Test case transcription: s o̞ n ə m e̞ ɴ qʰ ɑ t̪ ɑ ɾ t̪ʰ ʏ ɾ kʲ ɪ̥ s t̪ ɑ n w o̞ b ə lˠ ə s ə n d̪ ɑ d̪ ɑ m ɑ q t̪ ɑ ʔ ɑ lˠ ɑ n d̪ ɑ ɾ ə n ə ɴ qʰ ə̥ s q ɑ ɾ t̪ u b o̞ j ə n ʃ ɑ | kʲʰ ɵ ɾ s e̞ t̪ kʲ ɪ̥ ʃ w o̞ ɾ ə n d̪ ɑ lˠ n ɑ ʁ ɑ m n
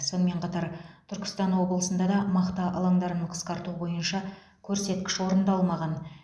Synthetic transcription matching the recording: s o̞ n ə m e̞ ɴ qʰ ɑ t̪ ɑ ɾ t̪ʰ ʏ ɾ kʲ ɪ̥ s t̪ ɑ n w o̞ b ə lˠ ə s ə n d̪ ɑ d̪ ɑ m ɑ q t̪ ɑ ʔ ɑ lˠ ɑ ŋ d̪ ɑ ɾ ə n ə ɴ qʰ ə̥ s q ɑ ɾ t̪ u b o̞ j ə n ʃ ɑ | kʲʰ ɵ ɾ s e̞ t̪ kʲ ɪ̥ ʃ w o̞ ɾ ə n d̪ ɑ lˠ m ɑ ʁ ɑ n